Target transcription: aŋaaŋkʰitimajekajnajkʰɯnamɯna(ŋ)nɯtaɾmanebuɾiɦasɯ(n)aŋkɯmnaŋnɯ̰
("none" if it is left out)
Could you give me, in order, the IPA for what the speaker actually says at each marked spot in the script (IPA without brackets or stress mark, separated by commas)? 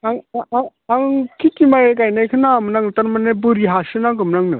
ŋ, n